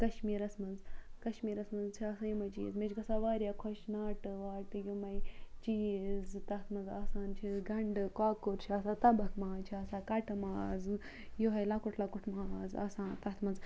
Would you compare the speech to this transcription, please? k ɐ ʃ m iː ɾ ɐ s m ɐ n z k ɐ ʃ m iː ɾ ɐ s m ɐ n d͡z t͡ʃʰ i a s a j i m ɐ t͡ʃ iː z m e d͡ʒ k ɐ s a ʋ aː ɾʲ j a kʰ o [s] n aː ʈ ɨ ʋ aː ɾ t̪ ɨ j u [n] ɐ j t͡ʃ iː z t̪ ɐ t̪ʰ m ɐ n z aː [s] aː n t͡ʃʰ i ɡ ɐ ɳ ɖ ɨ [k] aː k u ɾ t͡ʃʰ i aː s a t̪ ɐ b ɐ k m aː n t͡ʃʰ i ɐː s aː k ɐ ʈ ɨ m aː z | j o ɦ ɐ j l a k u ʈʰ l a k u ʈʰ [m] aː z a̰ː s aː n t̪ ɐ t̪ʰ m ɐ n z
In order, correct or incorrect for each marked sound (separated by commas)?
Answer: incorrect, incorrect, correct, correct, correct